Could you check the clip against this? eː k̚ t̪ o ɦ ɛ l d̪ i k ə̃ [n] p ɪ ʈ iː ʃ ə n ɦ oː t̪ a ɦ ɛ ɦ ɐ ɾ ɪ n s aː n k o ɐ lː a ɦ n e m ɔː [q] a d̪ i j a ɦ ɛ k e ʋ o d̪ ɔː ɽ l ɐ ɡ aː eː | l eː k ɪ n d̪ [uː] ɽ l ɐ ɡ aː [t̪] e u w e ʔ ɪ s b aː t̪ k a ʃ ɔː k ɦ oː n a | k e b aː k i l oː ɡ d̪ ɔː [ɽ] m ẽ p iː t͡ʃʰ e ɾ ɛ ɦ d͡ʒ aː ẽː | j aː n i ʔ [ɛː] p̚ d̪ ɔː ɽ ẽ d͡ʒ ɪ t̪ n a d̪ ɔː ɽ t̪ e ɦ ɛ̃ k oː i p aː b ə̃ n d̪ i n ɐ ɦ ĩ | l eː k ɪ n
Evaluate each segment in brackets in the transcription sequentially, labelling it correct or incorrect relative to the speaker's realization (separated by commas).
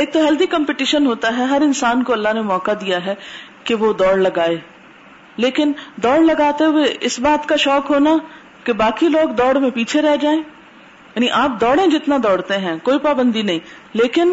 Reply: incorrect, incorrect, incorrect, correct, correct, incorrect